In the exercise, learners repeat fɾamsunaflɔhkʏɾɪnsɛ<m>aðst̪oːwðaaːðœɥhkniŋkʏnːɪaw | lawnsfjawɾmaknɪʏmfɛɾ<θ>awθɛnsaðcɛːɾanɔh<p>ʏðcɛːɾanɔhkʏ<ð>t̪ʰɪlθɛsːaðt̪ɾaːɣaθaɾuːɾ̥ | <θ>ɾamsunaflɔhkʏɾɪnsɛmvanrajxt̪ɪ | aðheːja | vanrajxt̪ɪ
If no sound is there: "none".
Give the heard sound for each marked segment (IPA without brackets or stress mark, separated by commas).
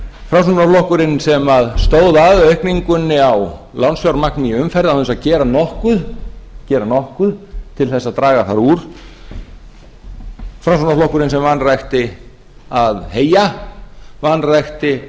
m, ð, k, ð, f